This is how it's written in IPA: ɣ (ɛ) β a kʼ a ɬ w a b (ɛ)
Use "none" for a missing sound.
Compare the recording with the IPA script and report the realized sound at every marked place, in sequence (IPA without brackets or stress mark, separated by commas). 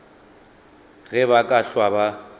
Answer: ɛ, a